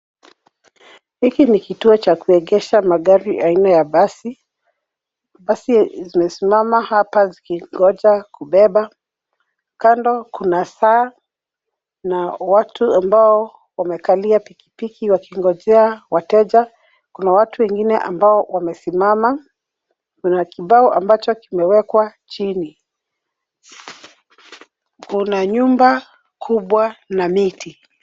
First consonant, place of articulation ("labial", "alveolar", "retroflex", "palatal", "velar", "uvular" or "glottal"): glottal